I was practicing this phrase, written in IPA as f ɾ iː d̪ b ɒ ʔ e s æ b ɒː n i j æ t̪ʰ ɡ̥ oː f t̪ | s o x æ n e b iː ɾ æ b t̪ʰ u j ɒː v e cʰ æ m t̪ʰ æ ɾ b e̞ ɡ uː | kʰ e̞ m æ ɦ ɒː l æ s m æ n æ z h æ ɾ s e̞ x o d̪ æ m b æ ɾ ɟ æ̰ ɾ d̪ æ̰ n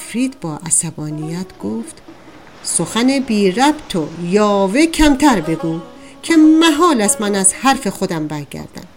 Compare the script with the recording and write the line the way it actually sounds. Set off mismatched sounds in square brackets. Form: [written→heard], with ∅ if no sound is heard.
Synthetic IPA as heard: f ɾ iː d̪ b [ɒ→ɒː] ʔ [e→æ] s æ b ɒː n i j æ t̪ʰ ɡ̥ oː f t̪ | s o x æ n e b iː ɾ æ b t̪ʰ [u→o] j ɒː v e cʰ æ m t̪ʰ æ ɾ b e̞ ɡ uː | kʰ e̞ m æ ɦ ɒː l æ s m æ n æ z h æ ɾ [s→f] e̞ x o d̪ æ m b æ ɾ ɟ æ̰ ɾ d̪ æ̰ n